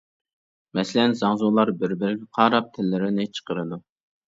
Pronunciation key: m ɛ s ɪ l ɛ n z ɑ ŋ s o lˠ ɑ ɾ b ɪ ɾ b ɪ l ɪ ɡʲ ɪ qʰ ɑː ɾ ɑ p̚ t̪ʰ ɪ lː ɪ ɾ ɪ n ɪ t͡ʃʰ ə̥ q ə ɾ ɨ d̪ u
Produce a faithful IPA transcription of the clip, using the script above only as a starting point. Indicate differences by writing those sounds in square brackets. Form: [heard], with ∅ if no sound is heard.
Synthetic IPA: m ɛ s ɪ l ɛ n z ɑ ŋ [z] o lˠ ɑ ɾ b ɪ ɾ b ɪ [ɾ] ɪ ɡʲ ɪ qʰ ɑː ɾ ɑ p̚ t̪ʰ ɪ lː ɪ ɾ ɪ n ɪ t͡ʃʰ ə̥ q ə ɾ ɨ d̪ u